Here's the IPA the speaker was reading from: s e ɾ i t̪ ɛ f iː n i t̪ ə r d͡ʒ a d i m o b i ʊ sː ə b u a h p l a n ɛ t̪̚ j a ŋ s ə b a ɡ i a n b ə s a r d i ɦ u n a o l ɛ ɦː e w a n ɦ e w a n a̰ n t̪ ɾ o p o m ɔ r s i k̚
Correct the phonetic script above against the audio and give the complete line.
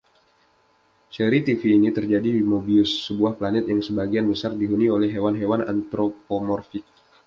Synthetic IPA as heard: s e ɾ i t̪ i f iː n i t̪ ə r d͡ʒ a d i m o b i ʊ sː ə b u a h p l a n ɛ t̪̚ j a ŋ s ə b a ɡ i a n b ə s a r d i ɦ u n i o l ɛ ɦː e w a n ɦ e w a n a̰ n t̪ ɾ o p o m ɔ r f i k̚